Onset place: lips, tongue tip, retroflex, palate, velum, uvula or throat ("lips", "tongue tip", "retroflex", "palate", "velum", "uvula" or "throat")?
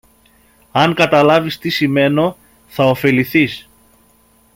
velum